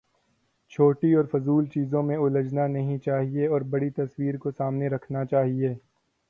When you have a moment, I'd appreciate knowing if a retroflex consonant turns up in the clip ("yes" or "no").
yes